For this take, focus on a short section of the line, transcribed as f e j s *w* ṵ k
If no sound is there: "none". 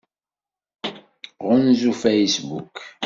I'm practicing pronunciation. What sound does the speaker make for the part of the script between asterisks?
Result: b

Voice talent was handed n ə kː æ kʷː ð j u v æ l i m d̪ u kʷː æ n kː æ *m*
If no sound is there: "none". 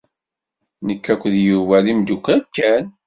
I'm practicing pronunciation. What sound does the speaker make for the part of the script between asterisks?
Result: n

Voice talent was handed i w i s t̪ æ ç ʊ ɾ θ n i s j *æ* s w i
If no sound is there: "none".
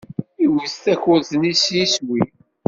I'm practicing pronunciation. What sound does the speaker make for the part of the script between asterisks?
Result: i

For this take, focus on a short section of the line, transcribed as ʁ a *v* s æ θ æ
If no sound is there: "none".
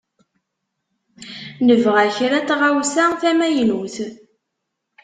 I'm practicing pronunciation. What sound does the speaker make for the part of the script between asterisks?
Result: w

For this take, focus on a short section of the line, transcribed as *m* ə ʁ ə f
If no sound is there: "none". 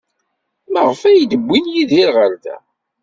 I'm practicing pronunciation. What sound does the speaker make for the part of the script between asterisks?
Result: m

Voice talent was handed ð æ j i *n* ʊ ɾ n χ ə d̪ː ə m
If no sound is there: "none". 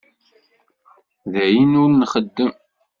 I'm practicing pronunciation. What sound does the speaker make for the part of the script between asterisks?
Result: n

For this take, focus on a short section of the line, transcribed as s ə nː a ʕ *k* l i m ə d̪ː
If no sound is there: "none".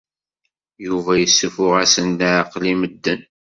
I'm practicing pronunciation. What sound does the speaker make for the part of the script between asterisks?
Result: q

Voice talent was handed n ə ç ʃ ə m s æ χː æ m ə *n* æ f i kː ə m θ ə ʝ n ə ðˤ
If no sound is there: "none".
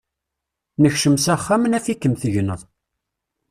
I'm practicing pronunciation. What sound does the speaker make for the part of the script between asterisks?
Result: n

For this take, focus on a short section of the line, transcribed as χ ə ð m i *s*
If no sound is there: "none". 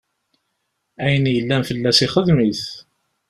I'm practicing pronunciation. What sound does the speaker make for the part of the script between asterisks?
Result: θ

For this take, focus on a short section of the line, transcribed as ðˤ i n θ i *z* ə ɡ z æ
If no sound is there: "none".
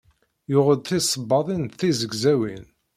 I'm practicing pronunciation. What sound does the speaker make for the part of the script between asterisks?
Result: z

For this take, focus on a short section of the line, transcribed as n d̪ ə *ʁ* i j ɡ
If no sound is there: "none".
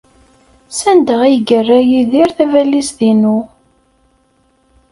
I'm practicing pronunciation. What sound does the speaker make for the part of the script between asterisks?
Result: ʁ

